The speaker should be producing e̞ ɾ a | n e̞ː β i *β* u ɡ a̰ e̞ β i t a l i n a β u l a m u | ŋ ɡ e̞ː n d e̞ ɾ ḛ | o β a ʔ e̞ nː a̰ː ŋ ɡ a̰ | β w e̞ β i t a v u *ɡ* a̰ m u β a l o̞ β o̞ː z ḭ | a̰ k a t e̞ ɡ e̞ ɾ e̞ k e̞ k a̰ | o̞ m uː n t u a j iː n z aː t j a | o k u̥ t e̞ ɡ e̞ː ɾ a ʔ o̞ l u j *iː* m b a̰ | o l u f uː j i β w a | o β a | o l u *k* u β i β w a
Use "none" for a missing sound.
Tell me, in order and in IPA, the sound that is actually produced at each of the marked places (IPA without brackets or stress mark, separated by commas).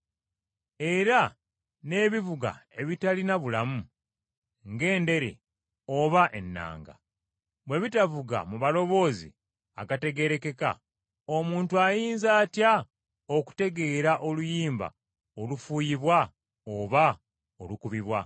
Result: v, ɡ, iː, k